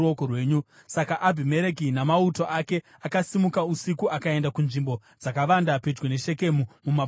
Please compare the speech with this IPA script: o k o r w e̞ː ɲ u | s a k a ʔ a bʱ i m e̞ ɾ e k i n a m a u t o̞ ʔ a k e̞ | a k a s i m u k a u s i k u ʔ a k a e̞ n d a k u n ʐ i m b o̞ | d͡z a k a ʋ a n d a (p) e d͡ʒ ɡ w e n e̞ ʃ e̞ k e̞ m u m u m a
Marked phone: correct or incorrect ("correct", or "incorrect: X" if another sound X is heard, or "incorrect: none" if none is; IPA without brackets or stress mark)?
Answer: correct